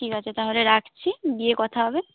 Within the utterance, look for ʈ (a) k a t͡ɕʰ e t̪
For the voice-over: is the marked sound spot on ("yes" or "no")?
no